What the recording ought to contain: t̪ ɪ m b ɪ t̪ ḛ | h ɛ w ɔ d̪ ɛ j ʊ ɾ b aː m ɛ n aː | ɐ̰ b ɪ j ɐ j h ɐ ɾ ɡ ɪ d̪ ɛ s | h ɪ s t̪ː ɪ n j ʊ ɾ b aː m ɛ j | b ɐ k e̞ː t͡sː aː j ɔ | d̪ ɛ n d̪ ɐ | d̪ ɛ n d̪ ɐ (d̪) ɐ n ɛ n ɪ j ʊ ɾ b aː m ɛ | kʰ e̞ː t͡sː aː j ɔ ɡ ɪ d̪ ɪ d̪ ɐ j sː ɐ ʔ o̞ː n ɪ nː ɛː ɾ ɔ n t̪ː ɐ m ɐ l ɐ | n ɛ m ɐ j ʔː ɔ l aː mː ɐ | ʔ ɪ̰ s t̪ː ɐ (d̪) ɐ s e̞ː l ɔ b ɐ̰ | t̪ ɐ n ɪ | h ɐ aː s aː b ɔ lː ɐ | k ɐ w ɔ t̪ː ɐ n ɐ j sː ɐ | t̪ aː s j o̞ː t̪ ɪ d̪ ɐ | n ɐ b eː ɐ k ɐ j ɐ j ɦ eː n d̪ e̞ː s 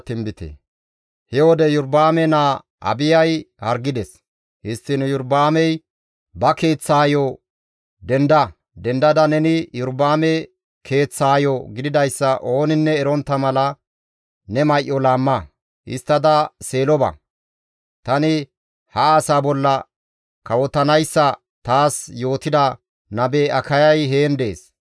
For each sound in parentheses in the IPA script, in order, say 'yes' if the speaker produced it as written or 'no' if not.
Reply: yes, yes

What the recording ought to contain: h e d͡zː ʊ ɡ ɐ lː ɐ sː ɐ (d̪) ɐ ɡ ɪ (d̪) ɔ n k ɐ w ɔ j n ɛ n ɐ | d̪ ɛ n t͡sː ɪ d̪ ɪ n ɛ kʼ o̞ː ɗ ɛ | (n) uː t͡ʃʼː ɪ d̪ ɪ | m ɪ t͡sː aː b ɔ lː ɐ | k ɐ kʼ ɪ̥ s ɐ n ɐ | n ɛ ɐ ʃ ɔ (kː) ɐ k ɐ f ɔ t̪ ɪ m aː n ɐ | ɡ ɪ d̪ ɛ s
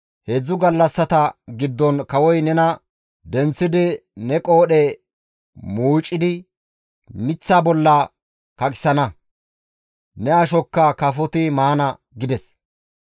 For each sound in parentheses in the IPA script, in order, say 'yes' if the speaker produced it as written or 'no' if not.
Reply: no, no, no, yes

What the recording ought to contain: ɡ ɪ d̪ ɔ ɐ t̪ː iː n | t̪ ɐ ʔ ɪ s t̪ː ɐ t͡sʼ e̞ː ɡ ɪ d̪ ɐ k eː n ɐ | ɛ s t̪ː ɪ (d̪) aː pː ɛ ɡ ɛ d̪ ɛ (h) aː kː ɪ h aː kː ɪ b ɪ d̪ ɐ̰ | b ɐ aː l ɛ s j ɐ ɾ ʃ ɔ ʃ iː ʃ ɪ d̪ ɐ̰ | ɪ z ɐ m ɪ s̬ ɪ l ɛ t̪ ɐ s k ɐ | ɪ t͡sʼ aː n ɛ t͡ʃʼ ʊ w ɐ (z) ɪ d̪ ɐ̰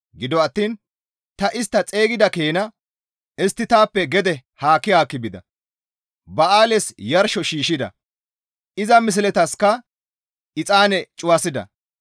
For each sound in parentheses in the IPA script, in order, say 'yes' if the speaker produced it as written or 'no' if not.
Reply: no, yes, no

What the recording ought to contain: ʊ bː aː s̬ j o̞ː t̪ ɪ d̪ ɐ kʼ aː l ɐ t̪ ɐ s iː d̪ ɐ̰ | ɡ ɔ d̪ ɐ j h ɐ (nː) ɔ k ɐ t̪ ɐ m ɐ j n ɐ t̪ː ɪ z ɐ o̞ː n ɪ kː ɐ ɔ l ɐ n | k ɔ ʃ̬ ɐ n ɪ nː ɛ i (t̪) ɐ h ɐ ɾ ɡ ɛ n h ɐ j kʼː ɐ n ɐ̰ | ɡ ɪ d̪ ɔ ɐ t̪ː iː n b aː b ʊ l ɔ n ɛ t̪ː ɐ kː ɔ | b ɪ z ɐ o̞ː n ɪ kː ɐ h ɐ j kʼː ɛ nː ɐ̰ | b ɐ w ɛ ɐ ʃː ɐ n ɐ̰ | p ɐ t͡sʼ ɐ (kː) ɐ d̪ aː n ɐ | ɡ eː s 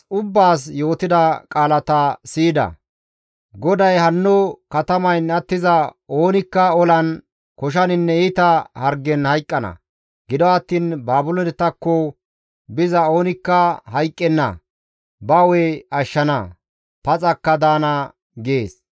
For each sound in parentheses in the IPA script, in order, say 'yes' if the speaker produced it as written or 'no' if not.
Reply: yes, yes, yes

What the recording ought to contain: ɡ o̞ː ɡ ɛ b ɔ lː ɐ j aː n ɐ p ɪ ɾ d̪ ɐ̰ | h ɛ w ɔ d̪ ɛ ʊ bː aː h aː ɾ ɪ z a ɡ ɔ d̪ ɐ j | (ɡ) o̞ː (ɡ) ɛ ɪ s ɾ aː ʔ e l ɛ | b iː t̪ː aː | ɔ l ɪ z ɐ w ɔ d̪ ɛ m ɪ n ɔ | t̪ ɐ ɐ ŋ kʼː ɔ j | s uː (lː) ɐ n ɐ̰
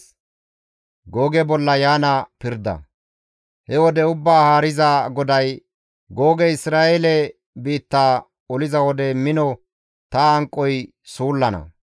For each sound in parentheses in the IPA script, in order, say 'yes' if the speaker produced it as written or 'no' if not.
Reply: yes, yes, yes

